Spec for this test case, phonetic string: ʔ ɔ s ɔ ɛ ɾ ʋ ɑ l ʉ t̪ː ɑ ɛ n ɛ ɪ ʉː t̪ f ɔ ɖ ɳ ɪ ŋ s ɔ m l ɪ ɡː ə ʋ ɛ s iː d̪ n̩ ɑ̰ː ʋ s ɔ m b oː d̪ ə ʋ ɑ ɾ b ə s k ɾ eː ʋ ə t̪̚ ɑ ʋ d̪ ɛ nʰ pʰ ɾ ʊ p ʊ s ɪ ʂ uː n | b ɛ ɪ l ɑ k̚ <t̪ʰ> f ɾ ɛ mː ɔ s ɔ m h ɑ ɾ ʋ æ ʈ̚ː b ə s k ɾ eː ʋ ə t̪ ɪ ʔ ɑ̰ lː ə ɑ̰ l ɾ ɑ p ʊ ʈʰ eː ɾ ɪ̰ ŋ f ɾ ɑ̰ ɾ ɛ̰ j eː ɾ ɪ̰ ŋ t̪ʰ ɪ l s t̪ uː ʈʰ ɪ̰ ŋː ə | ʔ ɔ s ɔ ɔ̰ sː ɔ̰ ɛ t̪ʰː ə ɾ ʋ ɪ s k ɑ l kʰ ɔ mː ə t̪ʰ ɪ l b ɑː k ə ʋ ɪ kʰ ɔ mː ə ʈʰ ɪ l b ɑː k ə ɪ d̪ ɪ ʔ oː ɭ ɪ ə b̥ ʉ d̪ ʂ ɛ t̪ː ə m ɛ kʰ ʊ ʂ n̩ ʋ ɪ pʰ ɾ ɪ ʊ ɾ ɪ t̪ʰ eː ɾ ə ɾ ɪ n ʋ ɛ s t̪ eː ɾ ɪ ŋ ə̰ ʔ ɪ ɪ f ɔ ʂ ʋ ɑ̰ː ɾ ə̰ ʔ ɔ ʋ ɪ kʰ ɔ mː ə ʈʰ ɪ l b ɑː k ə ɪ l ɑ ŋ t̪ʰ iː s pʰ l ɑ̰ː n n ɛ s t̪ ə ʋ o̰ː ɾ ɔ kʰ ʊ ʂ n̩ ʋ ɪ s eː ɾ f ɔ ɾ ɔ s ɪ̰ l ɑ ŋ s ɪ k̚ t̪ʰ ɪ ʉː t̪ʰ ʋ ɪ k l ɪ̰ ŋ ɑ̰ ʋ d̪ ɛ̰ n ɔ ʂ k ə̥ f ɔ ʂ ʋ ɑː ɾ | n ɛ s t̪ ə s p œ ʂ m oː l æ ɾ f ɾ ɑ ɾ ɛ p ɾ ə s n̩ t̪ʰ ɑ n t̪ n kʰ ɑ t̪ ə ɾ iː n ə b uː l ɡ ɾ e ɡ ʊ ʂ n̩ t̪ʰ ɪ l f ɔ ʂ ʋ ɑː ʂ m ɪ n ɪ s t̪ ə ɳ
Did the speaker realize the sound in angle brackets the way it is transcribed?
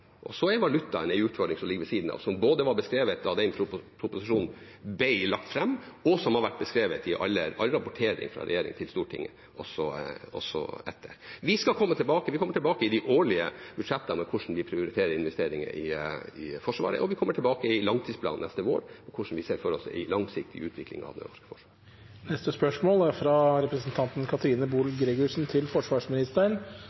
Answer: no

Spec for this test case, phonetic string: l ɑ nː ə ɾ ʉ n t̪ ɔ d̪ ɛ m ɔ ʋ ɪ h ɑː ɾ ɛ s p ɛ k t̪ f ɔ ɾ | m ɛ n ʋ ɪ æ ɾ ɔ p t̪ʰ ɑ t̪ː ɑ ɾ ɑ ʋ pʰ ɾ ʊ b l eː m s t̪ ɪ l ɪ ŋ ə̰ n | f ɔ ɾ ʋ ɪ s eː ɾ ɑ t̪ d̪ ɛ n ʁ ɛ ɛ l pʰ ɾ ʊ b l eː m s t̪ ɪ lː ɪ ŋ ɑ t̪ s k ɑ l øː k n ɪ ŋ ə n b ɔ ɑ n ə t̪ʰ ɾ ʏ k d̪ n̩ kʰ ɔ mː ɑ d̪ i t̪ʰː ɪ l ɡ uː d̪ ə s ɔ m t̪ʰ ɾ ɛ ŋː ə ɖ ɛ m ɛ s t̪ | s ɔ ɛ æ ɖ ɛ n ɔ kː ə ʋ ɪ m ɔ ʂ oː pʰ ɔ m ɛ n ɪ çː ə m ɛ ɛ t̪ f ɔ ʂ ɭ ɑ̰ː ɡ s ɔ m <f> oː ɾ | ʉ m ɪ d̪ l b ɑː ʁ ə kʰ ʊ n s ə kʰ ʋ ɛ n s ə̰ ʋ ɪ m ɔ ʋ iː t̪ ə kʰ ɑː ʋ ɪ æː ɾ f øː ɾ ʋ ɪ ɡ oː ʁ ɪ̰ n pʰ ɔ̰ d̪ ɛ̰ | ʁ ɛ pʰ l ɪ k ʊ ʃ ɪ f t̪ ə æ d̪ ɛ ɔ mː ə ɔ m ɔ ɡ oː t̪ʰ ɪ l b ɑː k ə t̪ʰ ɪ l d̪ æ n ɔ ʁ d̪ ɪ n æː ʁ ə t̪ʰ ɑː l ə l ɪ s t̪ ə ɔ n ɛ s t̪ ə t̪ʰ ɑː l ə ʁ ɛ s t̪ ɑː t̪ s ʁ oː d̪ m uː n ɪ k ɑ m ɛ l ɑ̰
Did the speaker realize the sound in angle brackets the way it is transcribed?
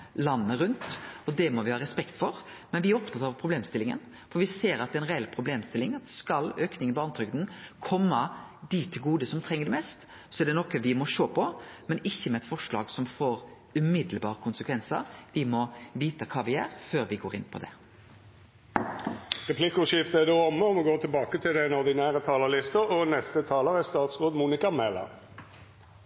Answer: yes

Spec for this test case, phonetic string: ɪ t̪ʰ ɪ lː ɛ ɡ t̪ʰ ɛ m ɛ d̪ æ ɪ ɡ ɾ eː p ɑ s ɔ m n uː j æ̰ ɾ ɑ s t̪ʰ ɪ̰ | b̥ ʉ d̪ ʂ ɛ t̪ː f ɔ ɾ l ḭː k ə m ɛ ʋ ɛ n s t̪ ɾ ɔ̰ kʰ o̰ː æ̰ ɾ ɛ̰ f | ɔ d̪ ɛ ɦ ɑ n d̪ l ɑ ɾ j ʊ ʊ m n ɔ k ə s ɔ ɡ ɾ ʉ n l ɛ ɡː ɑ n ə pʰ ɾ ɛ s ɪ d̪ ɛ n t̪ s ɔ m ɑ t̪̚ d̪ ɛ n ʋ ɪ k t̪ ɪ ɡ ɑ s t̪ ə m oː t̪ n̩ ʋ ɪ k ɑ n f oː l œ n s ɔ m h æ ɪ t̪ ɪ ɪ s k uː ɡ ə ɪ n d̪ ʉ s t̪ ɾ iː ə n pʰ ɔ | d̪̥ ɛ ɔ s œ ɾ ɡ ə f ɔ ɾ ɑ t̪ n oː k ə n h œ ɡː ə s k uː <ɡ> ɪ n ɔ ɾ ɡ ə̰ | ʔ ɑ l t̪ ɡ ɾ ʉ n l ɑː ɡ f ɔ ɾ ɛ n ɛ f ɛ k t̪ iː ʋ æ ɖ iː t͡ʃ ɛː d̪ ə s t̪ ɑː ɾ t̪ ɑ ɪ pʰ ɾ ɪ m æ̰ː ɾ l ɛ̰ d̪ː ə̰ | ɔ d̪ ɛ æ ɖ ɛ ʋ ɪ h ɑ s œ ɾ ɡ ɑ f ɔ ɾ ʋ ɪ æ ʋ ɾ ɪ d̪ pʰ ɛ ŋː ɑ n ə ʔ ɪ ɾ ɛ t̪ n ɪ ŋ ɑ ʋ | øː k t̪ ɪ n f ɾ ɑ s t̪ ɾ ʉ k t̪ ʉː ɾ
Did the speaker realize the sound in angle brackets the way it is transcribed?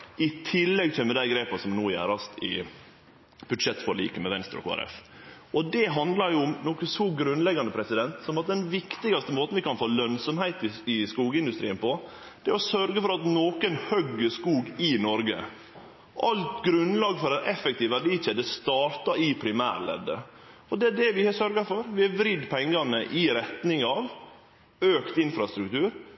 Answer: yes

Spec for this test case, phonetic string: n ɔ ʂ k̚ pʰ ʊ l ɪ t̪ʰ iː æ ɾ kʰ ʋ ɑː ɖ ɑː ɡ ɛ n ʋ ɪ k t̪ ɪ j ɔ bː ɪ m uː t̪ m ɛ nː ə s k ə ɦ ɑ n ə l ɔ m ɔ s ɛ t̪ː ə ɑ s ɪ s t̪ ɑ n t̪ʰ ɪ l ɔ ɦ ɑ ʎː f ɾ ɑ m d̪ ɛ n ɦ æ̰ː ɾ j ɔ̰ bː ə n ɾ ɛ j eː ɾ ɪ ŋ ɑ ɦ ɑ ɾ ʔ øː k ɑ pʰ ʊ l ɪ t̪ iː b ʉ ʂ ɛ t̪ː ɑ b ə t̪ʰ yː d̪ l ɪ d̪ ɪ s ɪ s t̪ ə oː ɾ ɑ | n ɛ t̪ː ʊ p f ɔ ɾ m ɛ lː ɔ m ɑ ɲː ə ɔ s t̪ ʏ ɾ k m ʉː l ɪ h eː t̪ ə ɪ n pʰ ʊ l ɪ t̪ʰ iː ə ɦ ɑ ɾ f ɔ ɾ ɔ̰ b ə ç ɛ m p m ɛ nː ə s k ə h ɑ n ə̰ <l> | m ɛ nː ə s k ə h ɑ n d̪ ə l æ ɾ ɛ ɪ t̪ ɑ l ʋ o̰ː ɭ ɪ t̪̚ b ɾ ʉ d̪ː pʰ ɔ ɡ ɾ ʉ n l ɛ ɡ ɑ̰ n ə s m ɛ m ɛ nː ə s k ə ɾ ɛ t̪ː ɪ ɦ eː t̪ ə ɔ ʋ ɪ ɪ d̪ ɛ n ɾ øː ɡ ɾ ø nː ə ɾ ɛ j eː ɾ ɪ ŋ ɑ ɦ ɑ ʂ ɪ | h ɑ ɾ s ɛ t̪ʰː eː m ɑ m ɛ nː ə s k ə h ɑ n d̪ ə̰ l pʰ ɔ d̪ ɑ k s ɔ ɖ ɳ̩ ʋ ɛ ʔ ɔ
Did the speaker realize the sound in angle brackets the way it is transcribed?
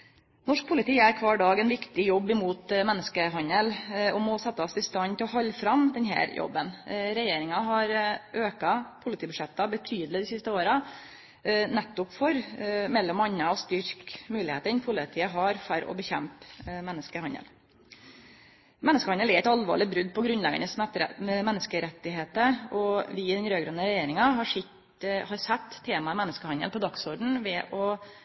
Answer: yes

